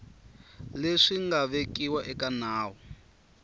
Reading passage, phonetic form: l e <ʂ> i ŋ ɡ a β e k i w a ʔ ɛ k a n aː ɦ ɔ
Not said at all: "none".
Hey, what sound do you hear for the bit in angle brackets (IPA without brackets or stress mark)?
ʂ